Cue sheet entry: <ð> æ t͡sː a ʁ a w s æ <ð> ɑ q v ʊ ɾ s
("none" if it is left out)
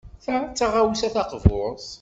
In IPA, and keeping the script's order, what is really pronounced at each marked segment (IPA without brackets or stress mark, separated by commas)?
θ, θ